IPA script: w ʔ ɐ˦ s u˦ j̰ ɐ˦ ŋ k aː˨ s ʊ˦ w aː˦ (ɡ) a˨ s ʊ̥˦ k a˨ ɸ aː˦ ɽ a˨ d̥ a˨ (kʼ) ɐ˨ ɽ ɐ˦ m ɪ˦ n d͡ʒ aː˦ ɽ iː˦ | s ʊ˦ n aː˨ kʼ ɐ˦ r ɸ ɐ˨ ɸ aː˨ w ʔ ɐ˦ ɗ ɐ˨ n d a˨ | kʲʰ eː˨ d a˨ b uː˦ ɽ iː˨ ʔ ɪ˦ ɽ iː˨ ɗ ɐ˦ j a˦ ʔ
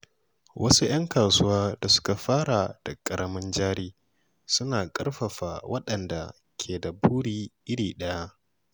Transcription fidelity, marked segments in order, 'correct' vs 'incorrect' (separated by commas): incorrect, correct